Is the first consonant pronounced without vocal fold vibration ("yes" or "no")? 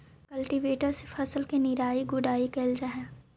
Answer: yes